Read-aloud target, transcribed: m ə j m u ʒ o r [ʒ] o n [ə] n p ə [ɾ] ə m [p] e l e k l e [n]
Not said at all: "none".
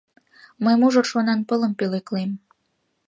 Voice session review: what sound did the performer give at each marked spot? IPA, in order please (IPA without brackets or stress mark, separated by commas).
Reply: ʃ, ɑ, l, p, m